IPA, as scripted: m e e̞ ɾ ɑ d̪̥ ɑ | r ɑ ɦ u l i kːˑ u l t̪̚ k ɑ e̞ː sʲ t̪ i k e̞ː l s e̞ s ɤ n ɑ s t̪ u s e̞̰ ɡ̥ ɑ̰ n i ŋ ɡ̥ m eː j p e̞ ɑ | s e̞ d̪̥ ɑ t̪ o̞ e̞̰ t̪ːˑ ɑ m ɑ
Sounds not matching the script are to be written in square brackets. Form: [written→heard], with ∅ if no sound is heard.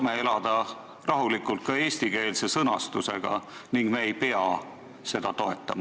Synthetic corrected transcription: m e e̞ [ɾ→l] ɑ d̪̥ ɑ | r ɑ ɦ u l i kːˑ u l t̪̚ k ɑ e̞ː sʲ t̪ i k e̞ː l s e̞ s ɤ n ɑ s t̪ u s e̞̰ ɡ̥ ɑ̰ n i ŋ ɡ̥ m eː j p e̞ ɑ | s e̞ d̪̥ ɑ t̪ o̞ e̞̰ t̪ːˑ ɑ m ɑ